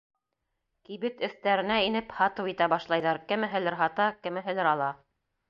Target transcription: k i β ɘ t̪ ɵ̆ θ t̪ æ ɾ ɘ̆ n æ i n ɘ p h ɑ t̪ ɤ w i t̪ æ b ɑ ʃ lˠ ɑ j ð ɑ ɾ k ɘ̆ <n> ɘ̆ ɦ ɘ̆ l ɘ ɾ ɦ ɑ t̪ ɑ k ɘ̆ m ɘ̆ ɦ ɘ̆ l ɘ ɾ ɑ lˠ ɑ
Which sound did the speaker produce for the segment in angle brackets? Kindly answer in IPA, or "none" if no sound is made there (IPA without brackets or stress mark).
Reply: m